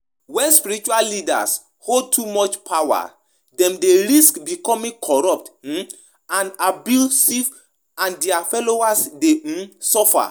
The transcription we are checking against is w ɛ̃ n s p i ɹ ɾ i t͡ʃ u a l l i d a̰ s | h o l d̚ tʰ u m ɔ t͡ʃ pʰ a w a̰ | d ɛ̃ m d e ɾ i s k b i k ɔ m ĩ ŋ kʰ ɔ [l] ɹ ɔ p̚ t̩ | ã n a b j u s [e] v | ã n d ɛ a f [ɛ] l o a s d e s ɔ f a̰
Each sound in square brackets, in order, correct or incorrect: incorrect: none, incorrect: i, correct

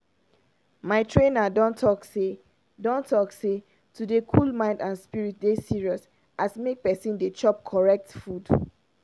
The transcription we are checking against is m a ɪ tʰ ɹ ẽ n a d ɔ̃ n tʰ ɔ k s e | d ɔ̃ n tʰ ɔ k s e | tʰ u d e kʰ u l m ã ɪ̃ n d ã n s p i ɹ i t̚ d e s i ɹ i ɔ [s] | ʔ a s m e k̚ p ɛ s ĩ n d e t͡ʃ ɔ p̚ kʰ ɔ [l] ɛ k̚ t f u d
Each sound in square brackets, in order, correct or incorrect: correct, incorrect: ɹ

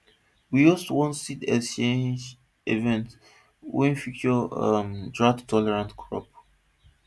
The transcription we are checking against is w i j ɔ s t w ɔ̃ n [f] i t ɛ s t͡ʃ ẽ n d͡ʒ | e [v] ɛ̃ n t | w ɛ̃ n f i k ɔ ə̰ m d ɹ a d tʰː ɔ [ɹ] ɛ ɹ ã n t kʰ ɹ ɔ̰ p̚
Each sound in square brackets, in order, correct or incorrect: incorrect: s, correct, incorrect: l

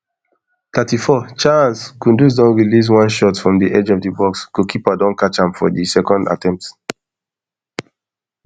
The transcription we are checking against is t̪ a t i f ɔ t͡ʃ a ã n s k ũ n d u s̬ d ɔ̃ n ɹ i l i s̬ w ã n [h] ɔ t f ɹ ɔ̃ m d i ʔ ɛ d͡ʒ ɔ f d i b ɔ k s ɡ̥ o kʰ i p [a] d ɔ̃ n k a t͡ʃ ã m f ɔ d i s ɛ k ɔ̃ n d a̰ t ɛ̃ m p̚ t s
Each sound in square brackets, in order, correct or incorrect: incorrect: ʃ, correct

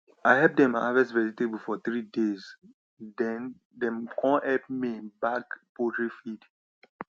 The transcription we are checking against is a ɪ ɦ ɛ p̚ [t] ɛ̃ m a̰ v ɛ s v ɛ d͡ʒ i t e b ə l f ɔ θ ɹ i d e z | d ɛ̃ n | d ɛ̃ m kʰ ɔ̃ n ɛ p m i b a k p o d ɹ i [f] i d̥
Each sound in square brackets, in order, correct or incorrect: incorrect: d, correct

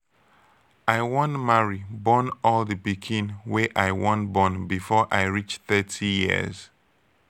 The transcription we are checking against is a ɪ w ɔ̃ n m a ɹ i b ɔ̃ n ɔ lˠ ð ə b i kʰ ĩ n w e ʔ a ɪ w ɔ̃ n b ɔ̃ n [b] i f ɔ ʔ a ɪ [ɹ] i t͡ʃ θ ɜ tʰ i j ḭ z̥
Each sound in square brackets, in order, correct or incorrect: correct, correct

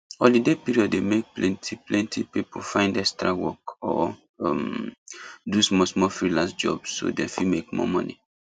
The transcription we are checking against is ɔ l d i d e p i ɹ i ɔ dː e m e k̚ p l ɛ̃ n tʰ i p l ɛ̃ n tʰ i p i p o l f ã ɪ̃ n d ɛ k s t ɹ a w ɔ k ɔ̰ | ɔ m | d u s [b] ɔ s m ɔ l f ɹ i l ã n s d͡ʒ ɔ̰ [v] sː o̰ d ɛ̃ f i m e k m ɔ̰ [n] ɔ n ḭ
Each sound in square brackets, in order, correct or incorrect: incorrect: m, incorrect: b, incorrect: m

